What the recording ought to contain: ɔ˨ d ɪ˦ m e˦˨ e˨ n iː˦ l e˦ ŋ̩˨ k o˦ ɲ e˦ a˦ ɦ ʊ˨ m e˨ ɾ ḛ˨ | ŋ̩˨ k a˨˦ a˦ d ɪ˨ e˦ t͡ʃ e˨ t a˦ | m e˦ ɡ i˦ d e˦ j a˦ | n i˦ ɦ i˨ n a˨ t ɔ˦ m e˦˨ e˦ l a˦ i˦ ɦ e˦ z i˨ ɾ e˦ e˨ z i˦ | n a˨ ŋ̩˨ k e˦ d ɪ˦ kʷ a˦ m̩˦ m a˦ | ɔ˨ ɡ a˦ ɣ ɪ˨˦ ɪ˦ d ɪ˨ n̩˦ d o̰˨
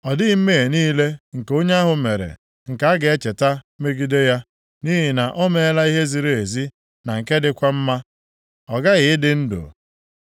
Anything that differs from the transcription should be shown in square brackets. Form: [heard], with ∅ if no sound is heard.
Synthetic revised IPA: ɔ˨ d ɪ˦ m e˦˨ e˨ n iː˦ l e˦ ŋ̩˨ k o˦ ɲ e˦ a˦ ɦ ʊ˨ m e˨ ɾ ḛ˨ | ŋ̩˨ k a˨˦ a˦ [ɡ] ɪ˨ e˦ t͡ʃ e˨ t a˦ | m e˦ ɡ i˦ d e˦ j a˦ | n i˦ ɦ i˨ n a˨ [ʔ] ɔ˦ m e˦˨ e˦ l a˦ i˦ ɦ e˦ z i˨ ɾ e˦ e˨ z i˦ | n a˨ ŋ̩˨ k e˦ d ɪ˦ kʷ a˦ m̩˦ m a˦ | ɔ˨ ɡ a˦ ɣ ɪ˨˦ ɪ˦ d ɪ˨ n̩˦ d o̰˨